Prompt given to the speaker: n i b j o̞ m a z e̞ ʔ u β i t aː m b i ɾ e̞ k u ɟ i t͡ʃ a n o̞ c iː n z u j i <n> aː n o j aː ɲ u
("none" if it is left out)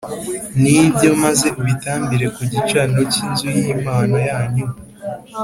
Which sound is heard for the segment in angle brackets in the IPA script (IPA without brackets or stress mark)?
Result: m